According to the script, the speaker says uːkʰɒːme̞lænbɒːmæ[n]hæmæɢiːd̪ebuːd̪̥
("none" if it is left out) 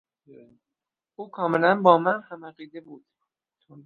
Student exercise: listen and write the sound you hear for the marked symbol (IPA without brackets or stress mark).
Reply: n